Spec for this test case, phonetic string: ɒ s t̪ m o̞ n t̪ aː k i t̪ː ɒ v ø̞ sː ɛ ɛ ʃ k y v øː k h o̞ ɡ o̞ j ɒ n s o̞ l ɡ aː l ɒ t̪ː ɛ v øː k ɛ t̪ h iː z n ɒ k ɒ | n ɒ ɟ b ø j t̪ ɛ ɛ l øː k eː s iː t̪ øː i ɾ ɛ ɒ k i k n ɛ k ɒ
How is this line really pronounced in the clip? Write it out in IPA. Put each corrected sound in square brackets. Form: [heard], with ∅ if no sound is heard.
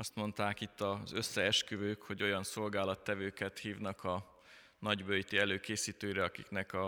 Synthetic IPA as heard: ɒ s t̪ m o̞ n t̪ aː k i t̪ː ɒ [z] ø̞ sː ɛ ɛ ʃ k y v øː k h o̞ [ɟ] o̞ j ɒ n s o̞ l ɡ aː l ɒ t̪ː ɛ v øː k ɛ t̪ h iː [v] n ɒ k ɒ | n ɒ ɟ b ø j t̪ [i] ɛ l øː k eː s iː t̪ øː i ɾ ɛ ɒ k i k n ɛ k ɒ